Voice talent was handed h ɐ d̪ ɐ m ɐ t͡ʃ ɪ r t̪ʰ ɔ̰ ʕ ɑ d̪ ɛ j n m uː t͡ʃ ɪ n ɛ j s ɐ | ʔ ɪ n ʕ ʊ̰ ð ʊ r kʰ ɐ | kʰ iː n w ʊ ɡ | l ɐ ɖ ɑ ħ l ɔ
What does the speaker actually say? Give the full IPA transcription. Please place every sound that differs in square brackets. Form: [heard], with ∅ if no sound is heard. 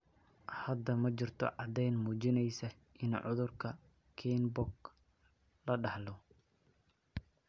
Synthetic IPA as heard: h ɐ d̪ ɐ m ɐ t͡ʃ ɪ r t̪ʰ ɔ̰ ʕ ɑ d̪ ɛ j n m uː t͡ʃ ɪ n ɛ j s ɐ | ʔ ɪ n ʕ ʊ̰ ð ʊ r kʰ ɐ | kʰ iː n [b] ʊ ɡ | l ɐ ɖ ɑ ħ l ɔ